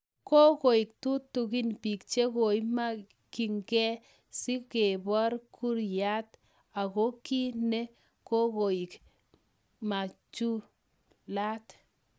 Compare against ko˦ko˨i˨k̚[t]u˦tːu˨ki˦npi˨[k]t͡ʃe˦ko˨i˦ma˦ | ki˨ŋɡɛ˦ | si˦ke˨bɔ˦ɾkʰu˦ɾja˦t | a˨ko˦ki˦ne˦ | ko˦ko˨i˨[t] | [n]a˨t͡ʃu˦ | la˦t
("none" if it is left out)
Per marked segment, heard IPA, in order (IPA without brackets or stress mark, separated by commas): t, k, k, m